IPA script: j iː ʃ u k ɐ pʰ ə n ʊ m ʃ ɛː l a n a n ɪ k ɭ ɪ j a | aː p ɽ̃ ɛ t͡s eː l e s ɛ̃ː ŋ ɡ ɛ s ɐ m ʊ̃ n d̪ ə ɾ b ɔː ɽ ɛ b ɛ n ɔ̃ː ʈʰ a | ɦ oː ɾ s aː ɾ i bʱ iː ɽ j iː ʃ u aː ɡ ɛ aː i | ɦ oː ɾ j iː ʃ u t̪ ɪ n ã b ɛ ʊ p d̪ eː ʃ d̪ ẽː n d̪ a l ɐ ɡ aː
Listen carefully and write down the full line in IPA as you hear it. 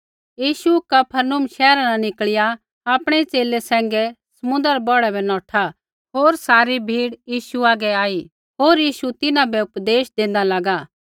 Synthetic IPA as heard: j iː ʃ u k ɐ pʰ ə n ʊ m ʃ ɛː ɾ a n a n ɪ k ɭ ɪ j a | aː p ɽ̃ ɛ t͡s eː l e s ɛ̃ː ŋ ɡ ɛ s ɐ m ʊ̃ n d̪ ə ɾ b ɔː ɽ ɛ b ɛ n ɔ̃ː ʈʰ a | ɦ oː ɾ s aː ɾ i bʱ iː ɽ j iː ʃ u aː ɡ ɛ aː i | ɦ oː ɾ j iː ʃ u t̪ ɪ n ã b ɛ ʊ p d̪ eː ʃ d̪ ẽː n d̪ a l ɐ ɡ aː